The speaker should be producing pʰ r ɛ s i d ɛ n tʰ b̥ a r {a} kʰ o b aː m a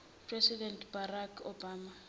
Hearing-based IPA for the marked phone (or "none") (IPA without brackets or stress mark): a